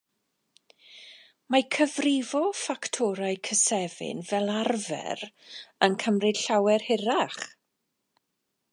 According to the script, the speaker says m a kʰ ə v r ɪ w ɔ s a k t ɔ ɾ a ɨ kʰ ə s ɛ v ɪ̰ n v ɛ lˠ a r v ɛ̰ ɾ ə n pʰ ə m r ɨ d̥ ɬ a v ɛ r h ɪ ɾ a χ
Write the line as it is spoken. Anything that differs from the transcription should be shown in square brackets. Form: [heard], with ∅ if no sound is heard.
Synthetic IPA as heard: m a kʰ ə v r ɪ [v] ɔ [f] a k [tʰ] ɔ ɾ a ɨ kʰ ə s ɛ v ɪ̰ n v ɛ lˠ a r v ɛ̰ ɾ ə n [kʰ] ə m r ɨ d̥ ɬ a [w] ɛ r h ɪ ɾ a χ